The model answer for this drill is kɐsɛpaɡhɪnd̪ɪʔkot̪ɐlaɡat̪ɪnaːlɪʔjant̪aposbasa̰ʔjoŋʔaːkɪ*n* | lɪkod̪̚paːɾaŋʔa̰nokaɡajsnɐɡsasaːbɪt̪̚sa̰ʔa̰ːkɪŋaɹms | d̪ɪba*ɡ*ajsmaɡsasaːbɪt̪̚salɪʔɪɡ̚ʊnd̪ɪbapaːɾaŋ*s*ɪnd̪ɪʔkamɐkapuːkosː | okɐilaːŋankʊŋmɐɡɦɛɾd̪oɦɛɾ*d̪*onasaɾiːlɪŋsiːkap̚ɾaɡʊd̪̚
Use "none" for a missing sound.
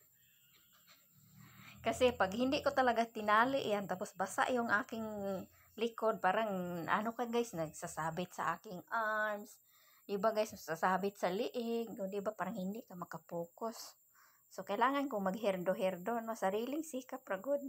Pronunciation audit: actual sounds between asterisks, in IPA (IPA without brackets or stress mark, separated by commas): ŋ, ɡ, h, d̪